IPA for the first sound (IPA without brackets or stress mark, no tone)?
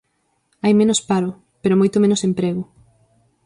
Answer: a